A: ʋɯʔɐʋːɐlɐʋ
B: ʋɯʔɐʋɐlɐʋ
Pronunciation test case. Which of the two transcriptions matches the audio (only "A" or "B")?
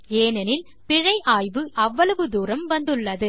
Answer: A